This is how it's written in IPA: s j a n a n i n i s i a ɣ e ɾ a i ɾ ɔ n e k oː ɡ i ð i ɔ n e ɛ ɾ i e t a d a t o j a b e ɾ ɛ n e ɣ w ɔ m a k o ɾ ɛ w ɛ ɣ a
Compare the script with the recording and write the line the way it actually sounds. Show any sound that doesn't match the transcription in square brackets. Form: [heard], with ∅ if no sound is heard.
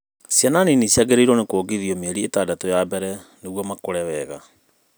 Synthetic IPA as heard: s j a n a n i n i s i a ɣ e ɾ [e] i ɾ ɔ n e k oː ɡ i ð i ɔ [m] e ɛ ɾ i e t a d a t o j a b [ɛ] ɾ ɛ n e ɣ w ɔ m a k o ɾ ɛ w ɛ ɣ a